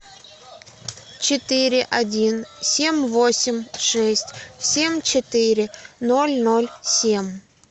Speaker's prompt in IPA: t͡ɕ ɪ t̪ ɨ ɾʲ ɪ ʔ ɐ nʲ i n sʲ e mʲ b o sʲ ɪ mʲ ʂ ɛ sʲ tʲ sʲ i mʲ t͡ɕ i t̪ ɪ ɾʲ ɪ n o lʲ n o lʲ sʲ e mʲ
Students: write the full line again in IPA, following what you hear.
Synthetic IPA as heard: t͡ɕ ɪ t̪ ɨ ɾʲ ɪ ʔ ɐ dʲ i n sʲ e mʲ v o sʲ ɪ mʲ ʂ ɛ sʲ tʲ sʲ e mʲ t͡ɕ ɪ t̪ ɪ ɾʲ ɪ n o lʲ n o lʲ sʲ e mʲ